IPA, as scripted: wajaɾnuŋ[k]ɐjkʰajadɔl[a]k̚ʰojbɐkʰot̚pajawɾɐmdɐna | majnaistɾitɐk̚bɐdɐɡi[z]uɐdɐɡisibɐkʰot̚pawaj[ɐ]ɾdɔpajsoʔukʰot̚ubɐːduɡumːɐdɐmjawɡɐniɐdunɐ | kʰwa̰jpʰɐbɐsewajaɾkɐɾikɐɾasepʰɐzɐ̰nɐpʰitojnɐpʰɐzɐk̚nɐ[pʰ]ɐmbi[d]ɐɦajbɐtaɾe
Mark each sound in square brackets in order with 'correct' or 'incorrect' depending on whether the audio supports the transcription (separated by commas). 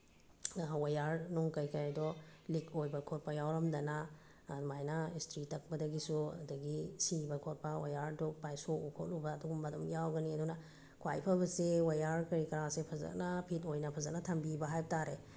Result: correct, incorrect, incorrect, incorrect, incorrect, incorrect